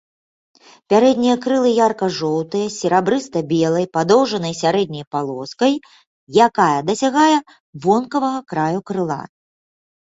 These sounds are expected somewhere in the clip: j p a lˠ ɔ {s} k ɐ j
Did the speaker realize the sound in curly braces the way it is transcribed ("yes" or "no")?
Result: yes